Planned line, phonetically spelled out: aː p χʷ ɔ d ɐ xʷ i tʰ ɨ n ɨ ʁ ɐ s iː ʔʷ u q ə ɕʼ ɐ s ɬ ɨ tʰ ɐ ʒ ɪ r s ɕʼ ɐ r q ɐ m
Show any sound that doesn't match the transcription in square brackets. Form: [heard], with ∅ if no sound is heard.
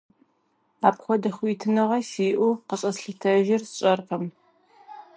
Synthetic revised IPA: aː p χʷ ɔ d ɐ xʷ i tʰ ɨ n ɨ ʁ ɐ s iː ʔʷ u q ə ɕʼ ɐ s ɬ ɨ tʰ ɐ ʒ ɪ r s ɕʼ ɐ r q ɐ m